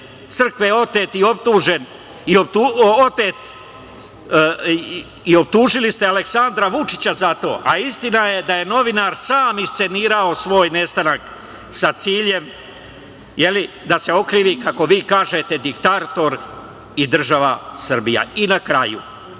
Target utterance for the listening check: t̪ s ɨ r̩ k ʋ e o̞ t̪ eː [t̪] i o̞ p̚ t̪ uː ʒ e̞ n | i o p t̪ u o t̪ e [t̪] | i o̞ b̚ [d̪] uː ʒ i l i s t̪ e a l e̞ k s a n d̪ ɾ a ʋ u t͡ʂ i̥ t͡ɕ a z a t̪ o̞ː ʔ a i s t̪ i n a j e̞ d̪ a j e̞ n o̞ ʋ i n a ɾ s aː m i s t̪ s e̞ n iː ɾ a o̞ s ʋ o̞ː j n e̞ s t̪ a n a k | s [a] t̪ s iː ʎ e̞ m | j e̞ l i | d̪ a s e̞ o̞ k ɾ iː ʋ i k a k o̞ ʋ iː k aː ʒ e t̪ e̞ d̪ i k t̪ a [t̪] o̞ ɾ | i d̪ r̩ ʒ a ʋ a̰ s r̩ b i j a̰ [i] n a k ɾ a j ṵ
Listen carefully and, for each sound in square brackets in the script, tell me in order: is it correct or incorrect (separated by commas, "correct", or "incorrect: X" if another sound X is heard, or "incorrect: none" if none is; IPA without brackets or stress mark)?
correct, correct, incorrect: t̪, correct, correct, correct